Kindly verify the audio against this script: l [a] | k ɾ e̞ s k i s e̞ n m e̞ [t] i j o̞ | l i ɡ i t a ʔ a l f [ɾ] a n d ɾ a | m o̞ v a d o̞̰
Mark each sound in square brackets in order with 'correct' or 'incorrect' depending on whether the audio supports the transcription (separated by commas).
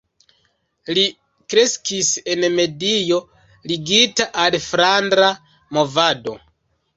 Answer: incorrect, incorrect, correct